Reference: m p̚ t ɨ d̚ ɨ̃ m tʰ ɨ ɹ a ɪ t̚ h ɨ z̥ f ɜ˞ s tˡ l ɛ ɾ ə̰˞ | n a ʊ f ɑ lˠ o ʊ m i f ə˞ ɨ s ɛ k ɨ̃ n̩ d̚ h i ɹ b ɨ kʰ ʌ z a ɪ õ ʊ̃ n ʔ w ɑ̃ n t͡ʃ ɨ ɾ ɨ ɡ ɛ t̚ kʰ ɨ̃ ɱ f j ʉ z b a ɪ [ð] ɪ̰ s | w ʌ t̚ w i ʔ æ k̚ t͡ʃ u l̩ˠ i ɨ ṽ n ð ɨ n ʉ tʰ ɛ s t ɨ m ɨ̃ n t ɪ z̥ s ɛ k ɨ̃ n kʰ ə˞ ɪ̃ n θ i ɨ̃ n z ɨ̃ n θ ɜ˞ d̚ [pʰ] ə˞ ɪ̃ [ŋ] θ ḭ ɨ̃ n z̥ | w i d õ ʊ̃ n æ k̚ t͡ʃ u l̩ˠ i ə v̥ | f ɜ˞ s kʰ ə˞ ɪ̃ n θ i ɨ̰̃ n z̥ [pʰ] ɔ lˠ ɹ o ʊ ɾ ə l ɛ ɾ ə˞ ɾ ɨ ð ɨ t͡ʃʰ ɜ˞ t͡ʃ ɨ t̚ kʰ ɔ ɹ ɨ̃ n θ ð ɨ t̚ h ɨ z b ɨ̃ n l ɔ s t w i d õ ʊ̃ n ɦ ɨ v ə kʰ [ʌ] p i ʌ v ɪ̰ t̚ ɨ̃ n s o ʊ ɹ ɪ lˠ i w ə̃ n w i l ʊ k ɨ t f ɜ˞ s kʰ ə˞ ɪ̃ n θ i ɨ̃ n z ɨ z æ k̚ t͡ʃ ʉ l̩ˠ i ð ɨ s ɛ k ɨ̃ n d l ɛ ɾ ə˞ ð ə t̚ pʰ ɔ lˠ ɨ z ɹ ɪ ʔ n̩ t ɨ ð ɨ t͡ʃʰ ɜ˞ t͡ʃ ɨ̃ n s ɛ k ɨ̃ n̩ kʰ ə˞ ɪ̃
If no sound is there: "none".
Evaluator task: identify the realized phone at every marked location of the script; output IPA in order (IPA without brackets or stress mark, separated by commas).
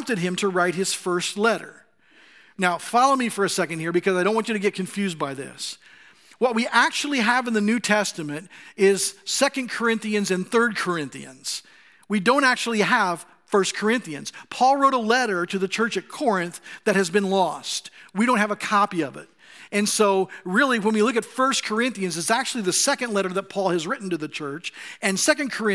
ð, kʰ, n, pʰ, ɑ